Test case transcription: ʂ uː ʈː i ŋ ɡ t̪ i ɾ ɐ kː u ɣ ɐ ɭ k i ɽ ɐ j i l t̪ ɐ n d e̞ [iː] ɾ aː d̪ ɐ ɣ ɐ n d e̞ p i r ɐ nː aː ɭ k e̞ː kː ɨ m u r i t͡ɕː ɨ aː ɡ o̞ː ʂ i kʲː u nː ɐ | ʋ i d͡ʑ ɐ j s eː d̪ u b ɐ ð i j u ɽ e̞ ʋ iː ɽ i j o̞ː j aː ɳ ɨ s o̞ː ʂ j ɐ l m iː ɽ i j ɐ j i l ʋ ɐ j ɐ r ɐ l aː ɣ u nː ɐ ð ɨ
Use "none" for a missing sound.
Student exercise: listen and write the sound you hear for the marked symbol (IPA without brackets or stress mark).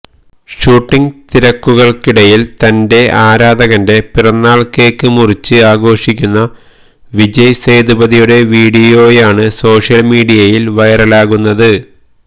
aː